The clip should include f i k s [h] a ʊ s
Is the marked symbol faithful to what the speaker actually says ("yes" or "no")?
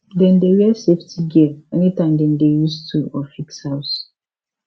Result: yes